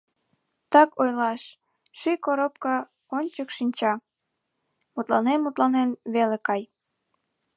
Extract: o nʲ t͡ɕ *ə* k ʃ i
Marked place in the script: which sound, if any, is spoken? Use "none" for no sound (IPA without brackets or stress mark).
ə